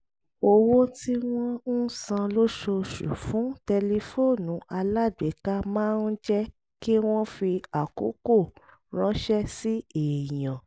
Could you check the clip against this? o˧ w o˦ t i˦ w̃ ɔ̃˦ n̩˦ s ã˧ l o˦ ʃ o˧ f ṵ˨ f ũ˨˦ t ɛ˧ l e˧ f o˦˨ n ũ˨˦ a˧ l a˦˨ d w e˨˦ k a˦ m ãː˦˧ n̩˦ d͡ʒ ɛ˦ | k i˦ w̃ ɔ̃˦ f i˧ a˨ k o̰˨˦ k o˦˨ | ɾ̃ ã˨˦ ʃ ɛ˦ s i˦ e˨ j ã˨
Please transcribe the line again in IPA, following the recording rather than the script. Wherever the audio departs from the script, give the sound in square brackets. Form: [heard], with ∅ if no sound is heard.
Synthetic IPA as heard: o˧ w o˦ t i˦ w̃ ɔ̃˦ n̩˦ s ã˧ l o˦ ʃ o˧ [ʃ] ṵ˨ f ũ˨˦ t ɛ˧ l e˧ f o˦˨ n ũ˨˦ a˧ l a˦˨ d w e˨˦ k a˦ m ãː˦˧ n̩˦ d͡ʒ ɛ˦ | k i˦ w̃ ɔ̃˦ f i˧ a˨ k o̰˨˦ k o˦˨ | ɾ̃ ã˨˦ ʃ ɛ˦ s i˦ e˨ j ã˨